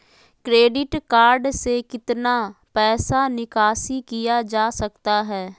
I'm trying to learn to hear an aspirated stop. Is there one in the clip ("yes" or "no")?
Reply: no